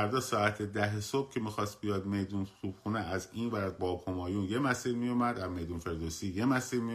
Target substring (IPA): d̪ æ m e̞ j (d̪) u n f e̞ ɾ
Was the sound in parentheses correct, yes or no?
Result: yes